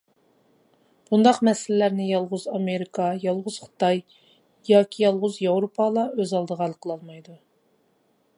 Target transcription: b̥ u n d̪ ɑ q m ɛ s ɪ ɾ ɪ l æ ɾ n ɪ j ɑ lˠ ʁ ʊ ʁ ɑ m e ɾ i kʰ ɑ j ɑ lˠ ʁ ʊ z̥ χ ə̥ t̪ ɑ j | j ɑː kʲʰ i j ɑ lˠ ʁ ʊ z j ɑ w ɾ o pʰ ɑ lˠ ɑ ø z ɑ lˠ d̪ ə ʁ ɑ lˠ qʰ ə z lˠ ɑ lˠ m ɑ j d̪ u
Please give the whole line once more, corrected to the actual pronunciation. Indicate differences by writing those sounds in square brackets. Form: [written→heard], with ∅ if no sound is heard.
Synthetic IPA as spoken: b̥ u n d̪ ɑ q m ɛ s ɪ [ɾ→l] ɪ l æ ɾ n ɪ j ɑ lˠ ʁ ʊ [ʁ→z] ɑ m e ɾ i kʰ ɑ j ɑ lˠ ʁ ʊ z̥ χ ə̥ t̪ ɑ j | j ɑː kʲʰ i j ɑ lˠ ʁ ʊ z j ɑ w ɾ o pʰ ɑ lˠ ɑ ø z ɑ lˠ d̪ ə ʁ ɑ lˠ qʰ ə [z→∅] lˠ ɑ lˠ m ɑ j d̪ u